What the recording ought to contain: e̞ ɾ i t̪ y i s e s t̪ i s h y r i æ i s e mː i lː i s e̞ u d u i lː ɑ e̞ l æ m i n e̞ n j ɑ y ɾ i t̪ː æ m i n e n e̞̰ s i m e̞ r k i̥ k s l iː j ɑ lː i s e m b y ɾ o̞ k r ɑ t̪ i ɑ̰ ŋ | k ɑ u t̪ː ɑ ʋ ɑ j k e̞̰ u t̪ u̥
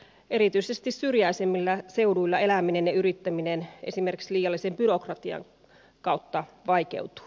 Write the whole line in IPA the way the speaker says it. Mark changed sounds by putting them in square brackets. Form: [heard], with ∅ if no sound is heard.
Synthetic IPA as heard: e̞ ɾ i t̪ y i s e s t̪ i s [s] y r [j] æ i s e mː i lː [æ] s e̞ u d u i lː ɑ e̞ l æ m i n e̞ n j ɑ y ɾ i t̪ː æ m i n e n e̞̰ s i m e̞ r k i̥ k s l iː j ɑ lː i s e m b y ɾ o̞ k r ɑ t̪ i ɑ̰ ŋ | k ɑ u t̪ː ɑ ʋ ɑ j k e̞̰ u t̪ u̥